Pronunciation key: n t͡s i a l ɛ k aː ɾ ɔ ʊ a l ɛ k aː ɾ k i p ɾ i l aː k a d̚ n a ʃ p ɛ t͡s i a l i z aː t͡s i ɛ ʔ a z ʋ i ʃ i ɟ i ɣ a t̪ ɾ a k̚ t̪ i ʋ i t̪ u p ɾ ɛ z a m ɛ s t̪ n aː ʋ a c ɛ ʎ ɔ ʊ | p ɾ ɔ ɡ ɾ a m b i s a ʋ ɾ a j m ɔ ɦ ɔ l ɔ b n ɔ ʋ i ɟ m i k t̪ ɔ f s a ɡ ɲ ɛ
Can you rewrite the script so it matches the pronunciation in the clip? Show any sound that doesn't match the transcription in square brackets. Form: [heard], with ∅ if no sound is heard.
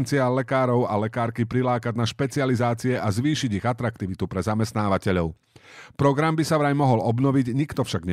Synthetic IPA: n t͡s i a l ɛ k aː ɾ ɔ ʊ a l ɛ k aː ɾ k i p ɾ i l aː k a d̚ n a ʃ p ɛ t͡s i a l i z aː t͡s i ɛ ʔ a z ʋ [iː] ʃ i ɟ i ɣ a t̪ ɾ a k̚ t̪ i ʋ i t̪ u p ɾ ɛ z a m ɛ s t̪ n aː ʋ a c ɛ ʎ ɔ ʊ | p ɾ ɔ ɡ ɾ a m b i s a ʋ ɾ a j m ɔ ɦ ɔ l ɔ b n ɔ ʋ i ɟ [ɲ] i k t̪ ɔ f [ʃ] a ɡ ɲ ɛ